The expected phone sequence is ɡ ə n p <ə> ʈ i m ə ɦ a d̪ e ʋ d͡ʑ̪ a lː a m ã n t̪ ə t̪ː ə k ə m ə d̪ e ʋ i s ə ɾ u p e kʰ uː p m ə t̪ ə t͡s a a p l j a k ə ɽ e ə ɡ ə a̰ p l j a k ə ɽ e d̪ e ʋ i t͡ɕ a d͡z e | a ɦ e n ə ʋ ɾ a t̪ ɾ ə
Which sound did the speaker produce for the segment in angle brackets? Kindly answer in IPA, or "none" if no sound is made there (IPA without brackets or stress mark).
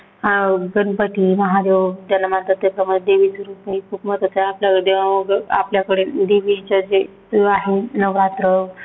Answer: ə